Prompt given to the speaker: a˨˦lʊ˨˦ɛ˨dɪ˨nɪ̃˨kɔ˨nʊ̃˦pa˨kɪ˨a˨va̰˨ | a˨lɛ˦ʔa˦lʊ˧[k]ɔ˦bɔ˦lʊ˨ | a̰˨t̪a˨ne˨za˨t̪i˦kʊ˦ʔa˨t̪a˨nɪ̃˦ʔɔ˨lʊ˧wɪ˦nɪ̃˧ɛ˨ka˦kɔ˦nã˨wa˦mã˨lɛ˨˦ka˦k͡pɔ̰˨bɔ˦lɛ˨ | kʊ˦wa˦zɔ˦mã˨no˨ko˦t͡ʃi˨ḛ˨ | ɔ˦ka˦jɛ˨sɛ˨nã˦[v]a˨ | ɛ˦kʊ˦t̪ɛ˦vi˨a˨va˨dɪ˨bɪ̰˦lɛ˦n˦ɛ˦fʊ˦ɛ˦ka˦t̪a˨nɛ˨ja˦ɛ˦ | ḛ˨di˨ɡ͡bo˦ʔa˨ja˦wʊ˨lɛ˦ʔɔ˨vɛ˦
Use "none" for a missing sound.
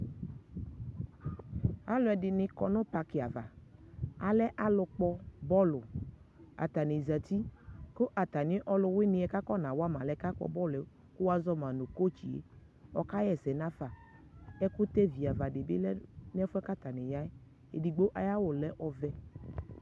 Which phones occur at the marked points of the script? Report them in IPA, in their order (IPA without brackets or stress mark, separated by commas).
k͡p, f